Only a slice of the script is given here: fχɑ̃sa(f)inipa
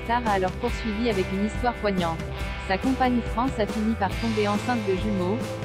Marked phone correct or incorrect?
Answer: correct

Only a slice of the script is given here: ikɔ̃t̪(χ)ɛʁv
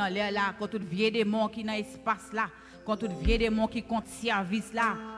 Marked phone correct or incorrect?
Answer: incorrect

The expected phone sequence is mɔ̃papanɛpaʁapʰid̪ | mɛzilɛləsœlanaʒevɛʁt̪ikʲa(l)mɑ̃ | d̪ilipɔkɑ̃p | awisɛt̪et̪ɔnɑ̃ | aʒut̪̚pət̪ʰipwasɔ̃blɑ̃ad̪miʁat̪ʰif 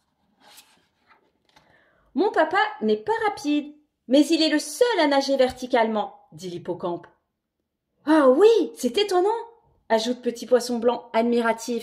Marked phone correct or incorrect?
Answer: correct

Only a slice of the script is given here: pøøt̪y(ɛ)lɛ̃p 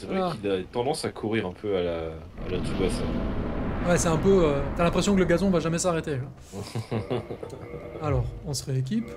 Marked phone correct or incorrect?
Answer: incorrect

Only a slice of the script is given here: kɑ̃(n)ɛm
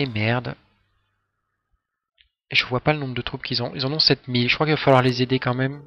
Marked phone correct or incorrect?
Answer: incorrect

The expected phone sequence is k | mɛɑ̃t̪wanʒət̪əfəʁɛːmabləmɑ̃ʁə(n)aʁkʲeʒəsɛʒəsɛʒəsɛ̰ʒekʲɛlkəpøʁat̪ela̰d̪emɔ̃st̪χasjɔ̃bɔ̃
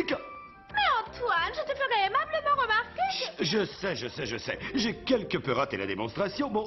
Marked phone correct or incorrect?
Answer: incorrect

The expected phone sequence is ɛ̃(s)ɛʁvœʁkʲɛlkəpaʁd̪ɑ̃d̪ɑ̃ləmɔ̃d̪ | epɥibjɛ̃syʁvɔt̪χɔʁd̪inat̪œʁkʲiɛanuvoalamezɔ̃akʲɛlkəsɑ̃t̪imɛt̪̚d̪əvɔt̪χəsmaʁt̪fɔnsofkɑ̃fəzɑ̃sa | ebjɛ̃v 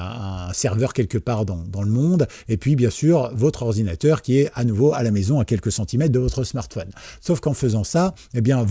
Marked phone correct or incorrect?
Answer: correct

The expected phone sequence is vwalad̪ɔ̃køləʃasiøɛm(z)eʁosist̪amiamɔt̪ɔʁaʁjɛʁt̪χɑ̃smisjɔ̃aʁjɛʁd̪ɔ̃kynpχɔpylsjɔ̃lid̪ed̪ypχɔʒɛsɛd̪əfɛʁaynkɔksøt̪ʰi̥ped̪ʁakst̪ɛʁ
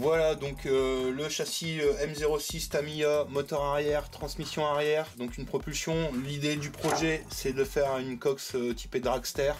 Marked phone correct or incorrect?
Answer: correct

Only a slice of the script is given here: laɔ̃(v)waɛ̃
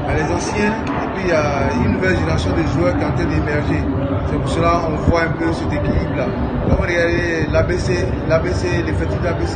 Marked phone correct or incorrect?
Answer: correct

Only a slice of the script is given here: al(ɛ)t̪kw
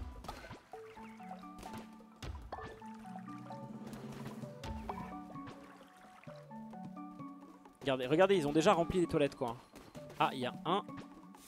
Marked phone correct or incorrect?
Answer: correct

